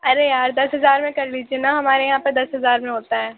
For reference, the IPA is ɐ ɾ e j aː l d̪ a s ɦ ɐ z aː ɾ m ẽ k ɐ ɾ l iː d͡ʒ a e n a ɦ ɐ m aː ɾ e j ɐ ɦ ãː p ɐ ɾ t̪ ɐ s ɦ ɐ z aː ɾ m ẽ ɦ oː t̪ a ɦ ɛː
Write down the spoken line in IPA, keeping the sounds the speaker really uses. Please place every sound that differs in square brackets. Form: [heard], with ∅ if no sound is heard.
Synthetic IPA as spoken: ɐ ɾ e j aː [ɾ] d̪ [ɐ] s ɦ ɐ z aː ɾ m ẽ k ɐ ɾ l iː d͡ʒ [i] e n a ɦ ɐ m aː ɾ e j ɐ ɦ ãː p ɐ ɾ [d̪] ɐ s ɦ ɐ z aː ɾ m ẽ ɦ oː t̪ a ɦ ɛː

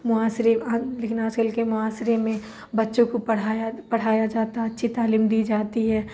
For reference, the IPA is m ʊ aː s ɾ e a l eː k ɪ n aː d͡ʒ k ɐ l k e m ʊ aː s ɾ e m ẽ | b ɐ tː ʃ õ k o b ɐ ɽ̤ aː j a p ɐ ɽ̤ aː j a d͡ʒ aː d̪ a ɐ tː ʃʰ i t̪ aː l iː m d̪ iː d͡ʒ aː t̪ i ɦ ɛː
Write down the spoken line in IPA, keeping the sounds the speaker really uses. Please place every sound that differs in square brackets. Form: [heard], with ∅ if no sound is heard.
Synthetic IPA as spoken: m ʊ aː s ɾ e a l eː k ɪ n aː d͡ʒ k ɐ l k e m ʊ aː s ɾ e m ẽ | b ɐ tː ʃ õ k o [p] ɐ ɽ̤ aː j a p ɐ ɽ̤ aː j a d͡ʒ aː [t̪] a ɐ tː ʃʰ i t̪ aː l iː m d̪ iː d͡ʒ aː t̪ i ɦ ɛː

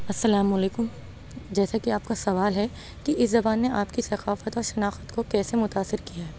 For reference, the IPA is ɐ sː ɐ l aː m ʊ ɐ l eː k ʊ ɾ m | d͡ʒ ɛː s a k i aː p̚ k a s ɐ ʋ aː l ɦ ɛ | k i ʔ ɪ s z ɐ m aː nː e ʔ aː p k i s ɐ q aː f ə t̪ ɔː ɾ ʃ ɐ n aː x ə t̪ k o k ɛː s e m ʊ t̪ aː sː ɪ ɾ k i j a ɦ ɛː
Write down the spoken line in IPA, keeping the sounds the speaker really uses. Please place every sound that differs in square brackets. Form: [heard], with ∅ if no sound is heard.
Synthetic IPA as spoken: ɐ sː ɐ l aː m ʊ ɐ l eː k ʊ [∅] m | d͡ʒ ɛː s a k i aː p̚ k a s ɐ ʋ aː l ɦ ɛ | k i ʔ ɪ s z ɐ [b] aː nː e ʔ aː p k i s ɐ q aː f ə t̪ ɔː ɾ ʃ ɐ n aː x ə t̪ k o k ɛː s e m ʊ t̪ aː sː ɪ ɾ k i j a ɦ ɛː

